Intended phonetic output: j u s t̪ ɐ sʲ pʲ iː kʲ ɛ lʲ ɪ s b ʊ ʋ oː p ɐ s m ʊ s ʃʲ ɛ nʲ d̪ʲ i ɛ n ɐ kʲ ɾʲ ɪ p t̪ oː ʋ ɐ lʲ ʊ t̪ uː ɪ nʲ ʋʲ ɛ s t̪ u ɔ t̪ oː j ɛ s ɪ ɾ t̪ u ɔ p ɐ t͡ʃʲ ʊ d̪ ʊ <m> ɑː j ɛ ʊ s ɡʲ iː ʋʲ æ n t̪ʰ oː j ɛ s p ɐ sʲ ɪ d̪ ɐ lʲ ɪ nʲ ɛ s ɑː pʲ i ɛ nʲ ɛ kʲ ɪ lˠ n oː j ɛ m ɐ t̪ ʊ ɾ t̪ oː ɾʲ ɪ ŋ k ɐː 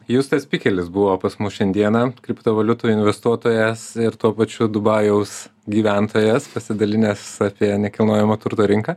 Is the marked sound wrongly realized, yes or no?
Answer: yes